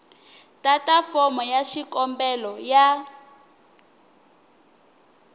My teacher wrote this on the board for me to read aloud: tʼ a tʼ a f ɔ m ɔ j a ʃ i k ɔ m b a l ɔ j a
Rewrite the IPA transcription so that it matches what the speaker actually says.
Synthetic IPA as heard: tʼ a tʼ a f ɔ m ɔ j a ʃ i k ɔ m b ɛ l ɔ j a